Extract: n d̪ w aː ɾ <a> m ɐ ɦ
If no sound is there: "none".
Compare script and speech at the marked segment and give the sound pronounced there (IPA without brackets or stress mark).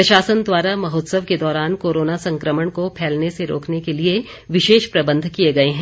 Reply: a